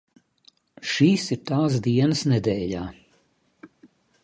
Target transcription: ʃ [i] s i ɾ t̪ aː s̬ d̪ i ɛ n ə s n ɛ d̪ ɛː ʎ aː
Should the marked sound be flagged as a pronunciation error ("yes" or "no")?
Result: yes